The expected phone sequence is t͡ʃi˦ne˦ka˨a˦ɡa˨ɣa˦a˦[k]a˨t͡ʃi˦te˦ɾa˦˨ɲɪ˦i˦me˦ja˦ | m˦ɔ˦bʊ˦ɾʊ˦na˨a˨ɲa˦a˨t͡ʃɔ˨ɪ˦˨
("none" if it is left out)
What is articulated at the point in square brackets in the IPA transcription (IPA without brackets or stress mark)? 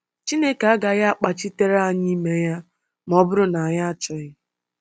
k͡p